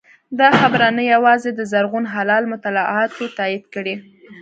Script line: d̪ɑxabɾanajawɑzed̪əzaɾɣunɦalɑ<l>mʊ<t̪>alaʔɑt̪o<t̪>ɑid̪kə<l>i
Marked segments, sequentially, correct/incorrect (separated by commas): correct, correct, correct, incorrect